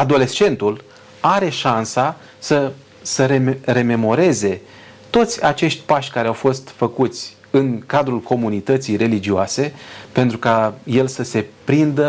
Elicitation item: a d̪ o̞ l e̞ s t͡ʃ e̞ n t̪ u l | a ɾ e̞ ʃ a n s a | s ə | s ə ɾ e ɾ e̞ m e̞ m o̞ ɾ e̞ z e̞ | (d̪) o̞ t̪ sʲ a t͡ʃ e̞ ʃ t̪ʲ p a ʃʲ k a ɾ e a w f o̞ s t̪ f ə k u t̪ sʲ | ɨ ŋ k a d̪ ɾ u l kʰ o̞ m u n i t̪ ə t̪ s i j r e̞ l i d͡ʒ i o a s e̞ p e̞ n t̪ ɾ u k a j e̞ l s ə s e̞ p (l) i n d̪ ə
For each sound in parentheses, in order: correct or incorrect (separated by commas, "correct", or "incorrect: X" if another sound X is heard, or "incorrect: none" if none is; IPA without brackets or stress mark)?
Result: incorrect: t̪, incorrect: ɾ